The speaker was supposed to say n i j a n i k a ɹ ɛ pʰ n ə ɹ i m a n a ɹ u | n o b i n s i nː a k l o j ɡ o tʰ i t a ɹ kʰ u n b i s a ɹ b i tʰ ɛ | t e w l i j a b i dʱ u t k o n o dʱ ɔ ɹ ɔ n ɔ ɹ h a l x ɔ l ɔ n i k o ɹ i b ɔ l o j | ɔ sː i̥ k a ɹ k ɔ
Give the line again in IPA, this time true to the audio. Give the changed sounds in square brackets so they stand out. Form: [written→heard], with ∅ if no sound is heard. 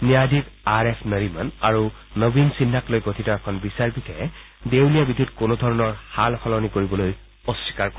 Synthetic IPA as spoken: n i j a [n→d] i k a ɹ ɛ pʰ n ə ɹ i m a n a ɹ u | n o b i n s i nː a k l o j ɡ o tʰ i t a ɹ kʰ [u→ɔ] n b i s a ɹ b i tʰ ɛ | [t→d] e w l i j a b i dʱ u t k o n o dʱ ɔ ɹ ɔ n ɔ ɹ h a l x ɔ l ɔ n i k o ɹ i b ɔ l o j | ɔ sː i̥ k a ɹ k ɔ